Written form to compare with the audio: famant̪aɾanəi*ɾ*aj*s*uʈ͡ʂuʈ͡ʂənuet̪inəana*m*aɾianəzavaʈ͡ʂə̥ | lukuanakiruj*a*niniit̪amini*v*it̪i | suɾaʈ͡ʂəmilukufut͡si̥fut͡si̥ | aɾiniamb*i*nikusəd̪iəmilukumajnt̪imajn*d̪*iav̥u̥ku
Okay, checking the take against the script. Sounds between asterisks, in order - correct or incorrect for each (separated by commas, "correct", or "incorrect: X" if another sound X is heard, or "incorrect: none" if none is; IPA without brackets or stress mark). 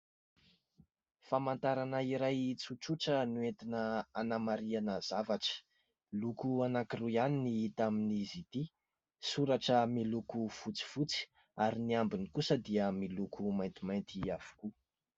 correct, incorrect: t͡s, correct, correct, incorrect: z, correct, incorrect: t̪